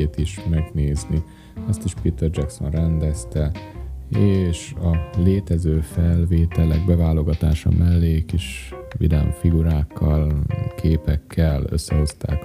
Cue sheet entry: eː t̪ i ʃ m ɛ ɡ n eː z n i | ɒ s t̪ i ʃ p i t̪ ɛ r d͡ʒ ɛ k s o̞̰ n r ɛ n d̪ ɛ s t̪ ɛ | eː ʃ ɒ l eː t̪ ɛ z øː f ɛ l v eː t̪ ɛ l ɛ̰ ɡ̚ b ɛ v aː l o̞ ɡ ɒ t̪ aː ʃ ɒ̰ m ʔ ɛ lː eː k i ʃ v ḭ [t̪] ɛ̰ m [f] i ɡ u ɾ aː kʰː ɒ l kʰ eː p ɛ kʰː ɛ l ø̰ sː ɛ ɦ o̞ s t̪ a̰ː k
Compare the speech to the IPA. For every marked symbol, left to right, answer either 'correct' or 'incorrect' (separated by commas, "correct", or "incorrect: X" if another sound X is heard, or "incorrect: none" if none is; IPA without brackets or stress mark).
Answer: incorrect: d̪, correct